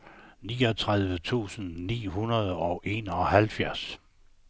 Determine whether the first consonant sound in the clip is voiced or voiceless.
voiced